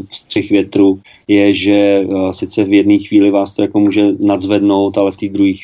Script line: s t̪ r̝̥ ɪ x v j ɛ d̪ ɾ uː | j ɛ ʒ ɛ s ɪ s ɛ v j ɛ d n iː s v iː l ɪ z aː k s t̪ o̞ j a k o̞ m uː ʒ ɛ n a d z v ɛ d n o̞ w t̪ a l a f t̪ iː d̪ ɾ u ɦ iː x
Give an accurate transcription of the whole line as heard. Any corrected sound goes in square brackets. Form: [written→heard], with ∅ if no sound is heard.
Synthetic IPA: s t̪ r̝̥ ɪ x v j ɛ [d̪→t̪] ɾ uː | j ɛ ʒ ɛ s ɪ [s→t͡s] ɛ v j ɛ d n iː [s→x] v iː l ɪ [z→v] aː [k→∅] s t̪ o̞ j a k o̞ m uː ʒ ɛ n a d z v ɛ d n o̞ w t̪ a l [a→ɛ] f t̪ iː d̪ ɾ u ɦ iː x